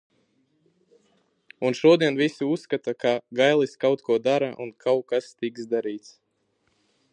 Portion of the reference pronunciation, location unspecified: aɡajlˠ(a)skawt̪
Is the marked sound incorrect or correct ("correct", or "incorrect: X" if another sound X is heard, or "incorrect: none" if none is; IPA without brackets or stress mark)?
incorrect: i